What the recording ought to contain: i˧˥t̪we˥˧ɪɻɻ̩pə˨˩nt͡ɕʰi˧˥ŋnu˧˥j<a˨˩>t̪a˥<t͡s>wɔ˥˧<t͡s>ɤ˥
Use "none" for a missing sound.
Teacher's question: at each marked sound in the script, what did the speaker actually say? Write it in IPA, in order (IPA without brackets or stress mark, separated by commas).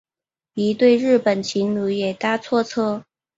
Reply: ɛ˨˩, t͡sʰ, t͡sʰ